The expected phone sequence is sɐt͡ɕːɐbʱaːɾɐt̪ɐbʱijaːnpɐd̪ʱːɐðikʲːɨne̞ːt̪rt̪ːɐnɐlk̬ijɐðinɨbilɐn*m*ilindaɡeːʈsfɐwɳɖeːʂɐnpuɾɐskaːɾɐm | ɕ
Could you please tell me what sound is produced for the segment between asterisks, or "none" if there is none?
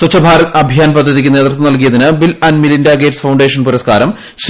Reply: m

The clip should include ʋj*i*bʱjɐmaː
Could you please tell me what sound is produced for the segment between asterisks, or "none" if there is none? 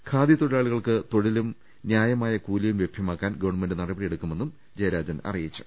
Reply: e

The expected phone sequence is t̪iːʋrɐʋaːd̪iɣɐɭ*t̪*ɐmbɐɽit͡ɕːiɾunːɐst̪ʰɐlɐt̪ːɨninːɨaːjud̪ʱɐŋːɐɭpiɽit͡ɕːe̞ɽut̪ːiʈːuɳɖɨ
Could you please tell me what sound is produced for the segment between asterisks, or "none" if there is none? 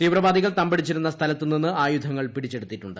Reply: t̪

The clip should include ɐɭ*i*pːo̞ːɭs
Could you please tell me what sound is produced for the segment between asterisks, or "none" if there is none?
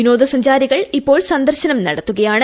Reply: i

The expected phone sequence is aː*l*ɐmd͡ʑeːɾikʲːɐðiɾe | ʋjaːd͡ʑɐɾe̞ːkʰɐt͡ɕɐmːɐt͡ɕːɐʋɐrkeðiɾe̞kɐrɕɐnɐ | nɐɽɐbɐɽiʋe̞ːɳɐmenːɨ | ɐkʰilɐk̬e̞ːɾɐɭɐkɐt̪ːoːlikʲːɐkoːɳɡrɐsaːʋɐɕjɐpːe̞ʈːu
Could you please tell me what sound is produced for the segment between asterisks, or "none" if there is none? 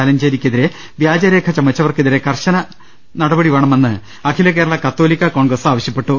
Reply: l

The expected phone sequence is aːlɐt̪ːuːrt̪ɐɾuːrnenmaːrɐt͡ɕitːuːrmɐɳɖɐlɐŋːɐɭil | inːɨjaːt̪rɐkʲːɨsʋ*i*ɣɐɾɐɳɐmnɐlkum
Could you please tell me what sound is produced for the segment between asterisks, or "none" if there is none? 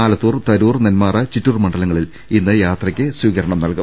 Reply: iː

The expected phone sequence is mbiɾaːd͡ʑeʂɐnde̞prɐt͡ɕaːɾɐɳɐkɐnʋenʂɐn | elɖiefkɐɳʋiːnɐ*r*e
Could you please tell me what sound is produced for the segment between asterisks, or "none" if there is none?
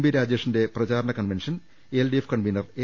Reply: r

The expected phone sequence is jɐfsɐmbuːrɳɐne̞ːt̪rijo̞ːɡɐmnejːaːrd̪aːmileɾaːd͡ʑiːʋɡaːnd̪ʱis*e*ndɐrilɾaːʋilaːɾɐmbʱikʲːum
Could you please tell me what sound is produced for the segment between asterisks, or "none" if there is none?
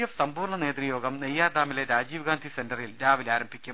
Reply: e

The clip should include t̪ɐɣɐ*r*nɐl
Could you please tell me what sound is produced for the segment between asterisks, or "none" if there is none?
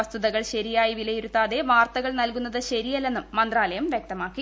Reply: ɭ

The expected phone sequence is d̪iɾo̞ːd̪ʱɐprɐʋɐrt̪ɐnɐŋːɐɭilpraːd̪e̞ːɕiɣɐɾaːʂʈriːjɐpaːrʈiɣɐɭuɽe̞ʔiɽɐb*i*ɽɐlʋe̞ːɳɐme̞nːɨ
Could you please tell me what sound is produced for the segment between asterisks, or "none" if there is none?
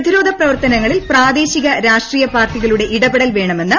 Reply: e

